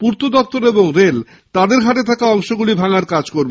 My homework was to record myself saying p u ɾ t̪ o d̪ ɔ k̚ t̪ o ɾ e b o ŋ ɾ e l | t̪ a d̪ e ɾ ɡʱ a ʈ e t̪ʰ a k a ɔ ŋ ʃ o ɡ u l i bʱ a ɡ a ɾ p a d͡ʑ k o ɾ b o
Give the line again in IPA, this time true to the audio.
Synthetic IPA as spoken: p u ɾ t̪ o d̪ ɔ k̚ t̪ o ɾ e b o ŋ ɾ e l | t̪ a d̪ e ɾ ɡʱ a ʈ e t̪ʰ a k a ɔ ŋ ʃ o ɡ u l i bʱ a ŋ a ɾ k a d͡ʑ k o ɾ b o